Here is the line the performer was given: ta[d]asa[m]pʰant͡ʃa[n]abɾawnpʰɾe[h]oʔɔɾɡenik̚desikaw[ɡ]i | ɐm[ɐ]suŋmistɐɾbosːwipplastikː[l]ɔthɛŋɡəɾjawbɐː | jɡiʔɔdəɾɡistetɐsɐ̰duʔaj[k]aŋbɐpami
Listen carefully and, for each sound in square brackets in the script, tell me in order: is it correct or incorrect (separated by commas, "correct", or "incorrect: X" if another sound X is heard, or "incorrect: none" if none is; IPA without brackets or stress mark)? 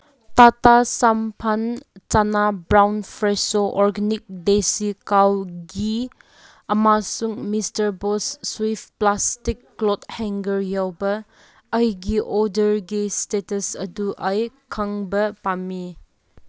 incorrect: t, correct, correct, incorrect: s, correct, incorrect: a, correct, incorrect: kʰ